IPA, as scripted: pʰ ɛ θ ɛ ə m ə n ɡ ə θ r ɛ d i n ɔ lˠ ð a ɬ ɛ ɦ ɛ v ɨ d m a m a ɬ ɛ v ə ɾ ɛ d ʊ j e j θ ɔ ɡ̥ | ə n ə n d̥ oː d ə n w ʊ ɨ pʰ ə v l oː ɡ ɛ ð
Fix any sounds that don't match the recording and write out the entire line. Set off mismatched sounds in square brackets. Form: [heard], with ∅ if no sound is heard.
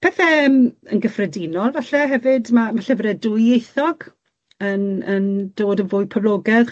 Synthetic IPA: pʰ ɛ θ ɛ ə m ə n ɡ ə [f] r ɛ d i n ɔ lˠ [v] a ɬ ɛ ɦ ɛ v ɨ d m a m a ɬ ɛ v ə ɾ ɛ d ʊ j e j θ ɔ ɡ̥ | ə n ə n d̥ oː d ə n [v] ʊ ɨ pʰ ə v l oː ɡ ɛ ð